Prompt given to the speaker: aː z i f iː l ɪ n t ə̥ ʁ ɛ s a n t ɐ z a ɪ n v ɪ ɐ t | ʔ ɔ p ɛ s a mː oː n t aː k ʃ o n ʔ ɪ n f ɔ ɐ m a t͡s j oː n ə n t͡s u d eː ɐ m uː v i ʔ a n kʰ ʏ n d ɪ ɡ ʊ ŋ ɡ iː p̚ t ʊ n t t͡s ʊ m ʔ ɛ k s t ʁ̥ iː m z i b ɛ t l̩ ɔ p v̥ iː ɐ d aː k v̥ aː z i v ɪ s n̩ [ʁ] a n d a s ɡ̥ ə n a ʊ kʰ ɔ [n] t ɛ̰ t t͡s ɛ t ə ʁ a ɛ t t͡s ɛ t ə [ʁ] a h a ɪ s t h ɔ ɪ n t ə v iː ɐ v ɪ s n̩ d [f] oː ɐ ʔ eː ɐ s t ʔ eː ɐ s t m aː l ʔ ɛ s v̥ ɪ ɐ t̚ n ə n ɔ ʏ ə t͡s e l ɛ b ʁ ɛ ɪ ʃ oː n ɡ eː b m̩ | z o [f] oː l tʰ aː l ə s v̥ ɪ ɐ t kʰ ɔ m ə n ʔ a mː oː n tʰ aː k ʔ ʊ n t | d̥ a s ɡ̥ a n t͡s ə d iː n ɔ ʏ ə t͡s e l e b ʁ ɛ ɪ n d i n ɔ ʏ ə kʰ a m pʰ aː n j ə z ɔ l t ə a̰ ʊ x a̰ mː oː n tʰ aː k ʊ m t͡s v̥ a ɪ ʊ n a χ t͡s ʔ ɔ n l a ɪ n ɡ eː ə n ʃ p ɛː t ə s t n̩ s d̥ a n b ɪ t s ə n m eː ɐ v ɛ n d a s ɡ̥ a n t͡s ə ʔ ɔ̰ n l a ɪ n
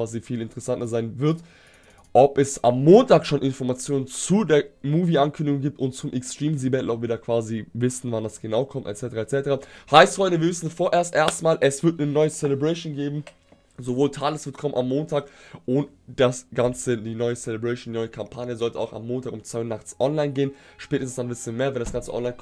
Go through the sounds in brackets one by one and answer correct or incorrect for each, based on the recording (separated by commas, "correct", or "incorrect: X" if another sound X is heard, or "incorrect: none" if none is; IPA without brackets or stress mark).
incorrect: v, incorrect: m, correct, correct, incorrect: v